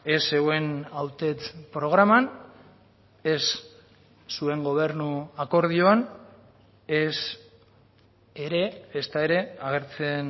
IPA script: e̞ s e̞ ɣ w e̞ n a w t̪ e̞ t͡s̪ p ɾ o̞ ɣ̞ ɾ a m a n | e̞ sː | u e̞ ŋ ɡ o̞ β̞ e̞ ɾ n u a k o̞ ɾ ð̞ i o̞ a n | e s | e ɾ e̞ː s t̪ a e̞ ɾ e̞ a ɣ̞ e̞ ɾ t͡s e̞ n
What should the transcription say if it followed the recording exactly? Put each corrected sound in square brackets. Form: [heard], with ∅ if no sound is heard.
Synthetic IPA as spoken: e̞ s e̞ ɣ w e̞ n a w t̪ e̞ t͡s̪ p ɾ o̞ ɣ̞ ɾ a m a n | e̞ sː | u e̞ ŋ ɡ o̞ β̞ e̞ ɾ n u a k o̞ ɾ ð̞ i o̞ a n | e s | e ɾ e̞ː s t̪ a e̞ ɾ e̞ a ɣ̞ e̞ ɾ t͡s e̞ n